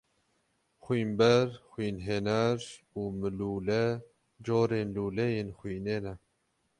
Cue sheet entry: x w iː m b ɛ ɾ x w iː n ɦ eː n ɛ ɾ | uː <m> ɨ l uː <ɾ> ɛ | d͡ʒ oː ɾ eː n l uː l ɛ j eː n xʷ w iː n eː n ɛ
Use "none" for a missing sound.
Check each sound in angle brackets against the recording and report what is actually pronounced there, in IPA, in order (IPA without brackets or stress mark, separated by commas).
m, l